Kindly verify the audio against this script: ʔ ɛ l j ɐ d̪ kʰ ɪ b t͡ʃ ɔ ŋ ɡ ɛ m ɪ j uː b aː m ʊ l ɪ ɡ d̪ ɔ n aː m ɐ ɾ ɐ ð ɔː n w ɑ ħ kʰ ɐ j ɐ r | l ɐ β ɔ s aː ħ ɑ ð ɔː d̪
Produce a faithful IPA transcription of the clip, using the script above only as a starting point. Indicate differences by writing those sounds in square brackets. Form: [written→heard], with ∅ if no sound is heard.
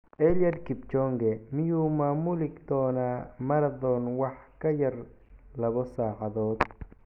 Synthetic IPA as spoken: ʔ ɛ l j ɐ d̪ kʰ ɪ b t͡ʃ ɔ ŋ ɡ ɛ m ɪ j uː [b→m] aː m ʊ l ɪ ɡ d̪ [ɔ→ɔː] n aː m ɐ ɾ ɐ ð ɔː n w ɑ ħ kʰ ɐ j ɐ r | l ɐ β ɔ s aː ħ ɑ ð ɔː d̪